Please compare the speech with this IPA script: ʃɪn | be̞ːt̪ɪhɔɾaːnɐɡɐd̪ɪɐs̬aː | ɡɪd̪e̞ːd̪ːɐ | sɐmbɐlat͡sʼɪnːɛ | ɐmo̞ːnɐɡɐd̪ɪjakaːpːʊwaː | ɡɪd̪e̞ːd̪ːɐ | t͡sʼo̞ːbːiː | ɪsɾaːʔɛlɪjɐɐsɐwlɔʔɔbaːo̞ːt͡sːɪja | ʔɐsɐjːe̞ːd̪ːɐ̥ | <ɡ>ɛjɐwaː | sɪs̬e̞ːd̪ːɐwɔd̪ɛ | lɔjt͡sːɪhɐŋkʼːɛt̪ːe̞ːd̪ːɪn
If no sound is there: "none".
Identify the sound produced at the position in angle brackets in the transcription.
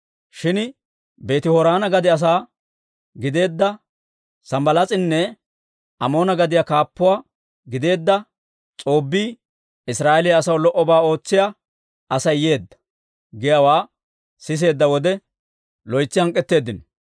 ɡ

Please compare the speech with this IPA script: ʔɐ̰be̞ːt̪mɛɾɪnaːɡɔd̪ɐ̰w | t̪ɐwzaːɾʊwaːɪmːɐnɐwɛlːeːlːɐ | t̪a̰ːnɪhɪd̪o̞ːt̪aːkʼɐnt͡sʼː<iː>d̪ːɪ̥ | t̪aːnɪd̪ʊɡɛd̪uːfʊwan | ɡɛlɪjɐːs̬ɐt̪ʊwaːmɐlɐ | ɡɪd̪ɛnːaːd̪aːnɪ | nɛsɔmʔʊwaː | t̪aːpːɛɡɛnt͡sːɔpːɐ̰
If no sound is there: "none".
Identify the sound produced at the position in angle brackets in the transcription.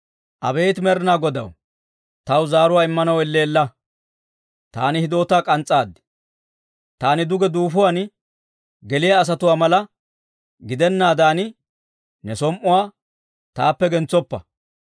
aː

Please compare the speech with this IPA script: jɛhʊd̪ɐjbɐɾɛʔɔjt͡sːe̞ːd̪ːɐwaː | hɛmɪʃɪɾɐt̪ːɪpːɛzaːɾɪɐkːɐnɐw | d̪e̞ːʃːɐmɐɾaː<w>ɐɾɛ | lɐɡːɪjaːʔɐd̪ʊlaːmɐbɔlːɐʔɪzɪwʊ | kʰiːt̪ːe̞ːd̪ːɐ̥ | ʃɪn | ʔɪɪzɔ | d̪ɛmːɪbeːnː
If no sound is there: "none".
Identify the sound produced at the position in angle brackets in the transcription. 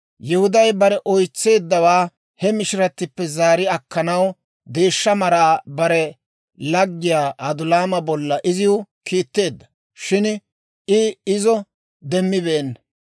b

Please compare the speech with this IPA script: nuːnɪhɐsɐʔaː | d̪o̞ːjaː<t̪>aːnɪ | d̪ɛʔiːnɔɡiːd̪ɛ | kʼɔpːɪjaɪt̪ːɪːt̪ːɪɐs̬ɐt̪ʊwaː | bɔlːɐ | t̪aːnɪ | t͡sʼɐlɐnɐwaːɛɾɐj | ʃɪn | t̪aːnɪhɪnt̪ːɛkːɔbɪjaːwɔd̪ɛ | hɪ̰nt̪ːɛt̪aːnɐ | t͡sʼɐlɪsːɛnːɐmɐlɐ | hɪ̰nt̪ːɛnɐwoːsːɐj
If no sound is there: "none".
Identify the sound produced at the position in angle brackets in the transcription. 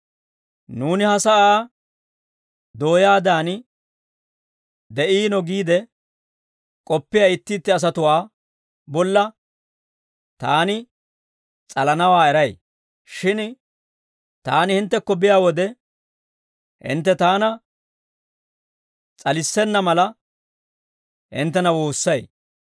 d̪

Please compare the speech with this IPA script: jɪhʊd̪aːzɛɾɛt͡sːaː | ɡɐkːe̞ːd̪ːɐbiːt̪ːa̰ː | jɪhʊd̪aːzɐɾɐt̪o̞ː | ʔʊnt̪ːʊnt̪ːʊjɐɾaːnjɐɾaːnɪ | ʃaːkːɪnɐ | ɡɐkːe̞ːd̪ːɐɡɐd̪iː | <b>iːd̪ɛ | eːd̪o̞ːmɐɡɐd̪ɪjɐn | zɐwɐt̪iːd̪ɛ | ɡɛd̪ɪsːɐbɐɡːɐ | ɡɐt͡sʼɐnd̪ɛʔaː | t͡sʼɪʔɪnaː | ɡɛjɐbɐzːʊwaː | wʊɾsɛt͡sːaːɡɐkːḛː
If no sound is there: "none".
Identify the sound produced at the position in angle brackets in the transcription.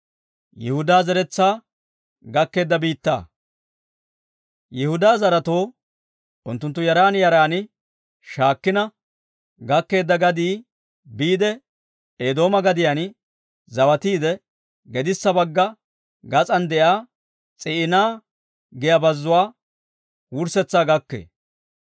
b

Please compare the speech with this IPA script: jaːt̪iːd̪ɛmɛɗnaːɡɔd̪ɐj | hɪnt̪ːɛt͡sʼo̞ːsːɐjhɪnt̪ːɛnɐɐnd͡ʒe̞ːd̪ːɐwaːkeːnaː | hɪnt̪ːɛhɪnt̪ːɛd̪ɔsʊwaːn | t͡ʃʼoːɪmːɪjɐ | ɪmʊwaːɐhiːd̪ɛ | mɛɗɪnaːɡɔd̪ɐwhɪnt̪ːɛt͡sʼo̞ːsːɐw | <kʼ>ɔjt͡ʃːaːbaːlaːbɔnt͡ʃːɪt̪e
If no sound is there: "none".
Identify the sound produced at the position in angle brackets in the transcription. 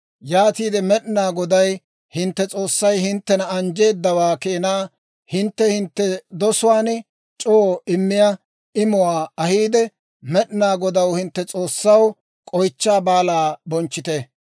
kʼ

